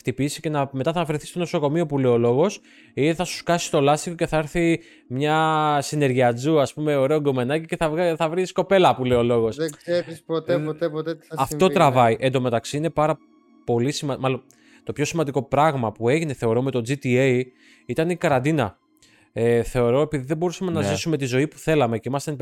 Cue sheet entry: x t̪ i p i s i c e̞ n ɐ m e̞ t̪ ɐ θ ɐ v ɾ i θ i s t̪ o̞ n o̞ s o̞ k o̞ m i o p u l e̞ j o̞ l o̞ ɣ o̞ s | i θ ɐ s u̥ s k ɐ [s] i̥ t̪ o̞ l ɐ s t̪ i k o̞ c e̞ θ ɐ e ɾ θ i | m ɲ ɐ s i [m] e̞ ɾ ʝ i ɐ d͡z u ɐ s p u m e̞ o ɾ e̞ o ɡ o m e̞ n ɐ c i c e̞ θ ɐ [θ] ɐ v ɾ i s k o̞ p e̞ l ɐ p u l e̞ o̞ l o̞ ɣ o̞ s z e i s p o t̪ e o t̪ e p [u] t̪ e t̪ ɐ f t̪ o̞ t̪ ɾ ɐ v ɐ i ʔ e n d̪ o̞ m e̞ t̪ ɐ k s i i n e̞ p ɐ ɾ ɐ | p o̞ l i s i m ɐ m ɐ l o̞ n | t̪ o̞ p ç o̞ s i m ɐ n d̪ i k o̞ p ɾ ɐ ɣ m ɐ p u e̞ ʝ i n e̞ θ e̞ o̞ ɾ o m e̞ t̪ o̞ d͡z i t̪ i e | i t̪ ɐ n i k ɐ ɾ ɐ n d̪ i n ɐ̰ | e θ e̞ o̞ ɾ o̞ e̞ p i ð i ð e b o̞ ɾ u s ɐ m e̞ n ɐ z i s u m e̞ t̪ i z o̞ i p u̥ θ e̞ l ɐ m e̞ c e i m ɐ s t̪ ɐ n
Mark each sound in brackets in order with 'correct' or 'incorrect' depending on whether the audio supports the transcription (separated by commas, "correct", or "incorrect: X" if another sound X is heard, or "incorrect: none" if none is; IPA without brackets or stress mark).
correct, incorrect: n, correct, incorrect: o